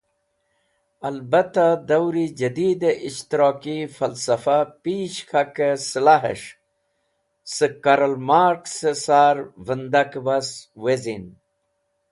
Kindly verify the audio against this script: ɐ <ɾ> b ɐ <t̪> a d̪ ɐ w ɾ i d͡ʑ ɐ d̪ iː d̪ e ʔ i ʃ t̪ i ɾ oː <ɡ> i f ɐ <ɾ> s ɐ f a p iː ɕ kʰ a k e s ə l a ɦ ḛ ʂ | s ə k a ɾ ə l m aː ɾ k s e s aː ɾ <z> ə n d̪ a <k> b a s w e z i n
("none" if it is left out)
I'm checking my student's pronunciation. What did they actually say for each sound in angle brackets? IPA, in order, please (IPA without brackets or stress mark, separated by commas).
l, t̪, k, l, v, k